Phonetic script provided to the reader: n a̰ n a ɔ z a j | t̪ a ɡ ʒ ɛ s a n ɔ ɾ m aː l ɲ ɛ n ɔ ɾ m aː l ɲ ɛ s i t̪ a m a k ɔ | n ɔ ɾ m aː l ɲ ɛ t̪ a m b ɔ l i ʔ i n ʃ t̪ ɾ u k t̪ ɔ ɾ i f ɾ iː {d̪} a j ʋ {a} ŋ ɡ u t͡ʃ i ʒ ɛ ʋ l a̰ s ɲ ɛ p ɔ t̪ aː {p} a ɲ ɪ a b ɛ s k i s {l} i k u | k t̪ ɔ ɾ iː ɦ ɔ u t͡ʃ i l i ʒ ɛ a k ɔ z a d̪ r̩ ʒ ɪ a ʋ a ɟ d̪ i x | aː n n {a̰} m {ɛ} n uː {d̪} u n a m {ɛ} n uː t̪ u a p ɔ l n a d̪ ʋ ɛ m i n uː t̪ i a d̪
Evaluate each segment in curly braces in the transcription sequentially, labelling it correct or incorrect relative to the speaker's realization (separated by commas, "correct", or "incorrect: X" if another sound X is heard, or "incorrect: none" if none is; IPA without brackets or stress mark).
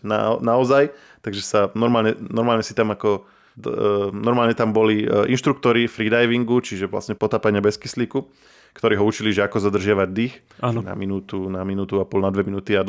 correct, incorrect: i, correct, correct, correct, incorrect: i, incorrect: t̪, incorrect: i